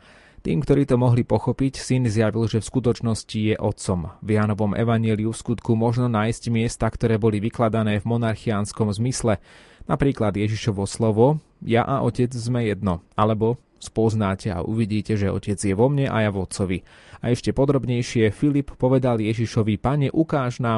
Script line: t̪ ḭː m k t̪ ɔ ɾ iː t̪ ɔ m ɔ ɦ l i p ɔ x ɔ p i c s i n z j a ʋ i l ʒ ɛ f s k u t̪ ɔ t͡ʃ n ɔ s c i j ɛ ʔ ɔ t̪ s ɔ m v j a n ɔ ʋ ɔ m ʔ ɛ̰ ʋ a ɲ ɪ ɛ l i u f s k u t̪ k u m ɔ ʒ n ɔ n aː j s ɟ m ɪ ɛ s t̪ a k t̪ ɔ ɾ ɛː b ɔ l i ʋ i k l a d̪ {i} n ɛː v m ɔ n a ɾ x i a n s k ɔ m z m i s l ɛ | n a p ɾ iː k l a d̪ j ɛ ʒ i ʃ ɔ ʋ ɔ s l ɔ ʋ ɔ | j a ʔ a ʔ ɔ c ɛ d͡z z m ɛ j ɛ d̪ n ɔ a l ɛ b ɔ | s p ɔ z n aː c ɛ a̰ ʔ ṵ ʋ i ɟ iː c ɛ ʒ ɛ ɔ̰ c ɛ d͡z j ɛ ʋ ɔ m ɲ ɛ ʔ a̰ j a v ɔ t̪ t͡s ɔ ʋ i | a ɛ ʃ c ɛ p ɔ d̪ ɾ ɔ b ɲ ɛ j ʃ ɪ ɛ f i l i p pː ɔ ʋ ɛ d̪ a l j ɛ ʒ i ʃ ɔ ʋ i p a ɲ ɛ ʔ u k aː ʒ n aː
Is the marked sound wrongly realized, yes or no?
yes